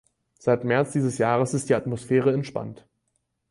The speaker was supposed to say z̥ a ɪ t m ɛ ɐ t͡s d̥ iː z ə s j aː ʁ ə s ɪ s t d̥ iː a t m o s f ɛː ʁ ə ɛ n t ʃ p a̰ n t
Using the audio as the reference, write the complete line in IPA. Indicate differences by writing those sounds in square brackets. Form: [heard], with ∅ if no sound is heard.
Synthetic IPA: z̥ a ɪ t m ɛ ɐ t͡s d̥ iː z ə s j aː ʁ ə s ɪ s t d̥ iː a t m o s f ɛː ʁ ə ɛ n t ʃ p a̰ n t